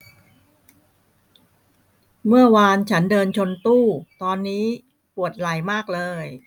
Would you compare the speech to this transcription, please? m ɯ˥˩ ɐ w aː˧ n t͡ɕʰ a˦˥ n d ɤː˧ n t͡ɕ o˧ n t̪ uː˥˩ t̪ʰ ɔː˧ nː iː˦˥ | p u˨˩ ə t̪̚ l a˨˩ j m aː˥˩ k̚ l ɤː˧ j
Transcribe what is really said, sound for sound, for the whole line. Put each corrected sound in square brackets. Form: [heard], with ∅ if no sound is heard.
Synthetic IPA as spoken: m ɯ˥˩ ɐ w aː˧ n t͡ɕʰ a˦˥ n d ɤː˧ n [t͡ɕʰ] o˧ n t̪ uː˥˩ [t̪] ɔː˧ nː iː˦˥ | p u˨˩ ə t̪̚ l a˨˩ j m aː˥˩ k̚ l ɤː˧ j